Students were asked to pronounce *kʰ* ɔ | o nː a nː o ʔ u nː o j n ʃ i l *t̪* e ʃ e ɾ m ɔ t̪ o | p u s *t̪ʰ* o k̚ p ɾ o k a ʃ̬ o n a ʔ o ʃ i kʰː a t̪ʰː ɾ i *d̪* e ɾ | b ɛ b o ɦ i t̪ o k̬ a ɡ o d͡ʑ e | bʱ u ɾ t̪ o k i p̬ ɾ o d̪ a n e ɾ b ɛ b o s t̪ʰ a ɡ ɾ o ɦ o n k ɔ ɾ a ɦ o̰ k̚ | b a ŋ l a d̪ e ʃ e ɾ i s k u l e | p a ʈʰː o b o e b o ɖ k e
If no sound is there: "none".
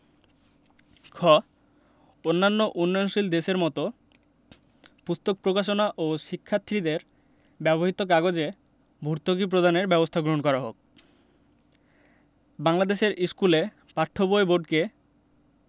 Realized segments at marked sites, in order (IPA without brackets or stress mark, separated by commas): kʰ, d̪, t̪, d̪